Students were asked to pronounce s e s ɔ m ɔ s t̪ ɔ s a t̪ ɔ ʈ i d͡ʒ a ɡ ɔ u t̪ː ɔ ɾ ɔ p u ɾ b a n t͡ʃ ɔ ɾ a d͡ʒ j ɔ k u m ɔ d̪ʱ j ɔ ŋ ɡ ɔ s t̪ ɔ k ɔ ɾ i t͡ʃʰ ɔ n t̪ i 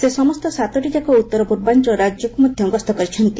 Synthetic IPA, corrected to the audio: s e s ɔ m ɔ s t̪ ɔ s a t̪ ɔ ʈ i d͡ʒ a k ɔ u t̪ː ɔ ɾ ɔ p u ɾ b a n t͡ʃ ɔ ɾ a d͡ʒ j ɔ k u m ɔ d̪ʱ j ɔ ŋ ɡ ɔ s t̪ ɔ k ɔ ɾ i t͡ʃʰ ɔ n t̪ i